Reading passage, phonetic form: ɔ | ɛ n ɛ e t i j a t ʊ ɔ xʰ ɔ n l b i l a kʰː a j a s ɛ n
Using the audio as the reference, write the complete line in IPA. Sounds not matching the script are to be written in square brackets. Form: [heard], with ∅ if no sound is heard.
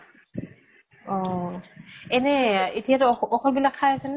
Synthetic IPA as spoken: ɔ | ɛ n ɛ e t i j a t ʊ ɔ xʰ ɔ [∅] l b i l a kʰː a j a s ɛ n